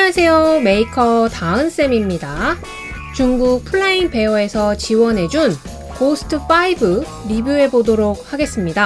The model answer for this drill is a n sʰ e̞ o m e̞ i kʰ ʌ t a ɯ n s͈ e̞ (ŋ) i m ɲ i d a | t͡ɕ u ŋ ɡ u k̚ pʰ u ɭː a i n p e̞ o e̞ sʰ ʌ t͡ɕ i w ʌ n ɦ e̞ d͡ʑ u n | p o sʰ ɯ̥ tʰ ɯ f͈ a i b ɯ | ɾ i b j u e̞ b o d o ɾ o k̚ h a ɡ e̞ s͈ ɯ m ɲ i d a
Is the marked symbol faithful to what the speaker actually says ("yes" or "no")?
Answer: no